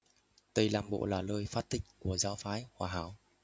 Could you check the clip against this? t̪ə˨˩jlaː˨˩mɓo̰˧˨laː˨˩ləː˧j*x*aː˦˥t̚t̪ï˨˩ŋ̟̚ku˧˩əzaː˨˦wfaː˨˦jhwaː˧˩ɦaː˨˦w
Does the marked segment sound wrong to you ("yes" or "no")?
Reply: yes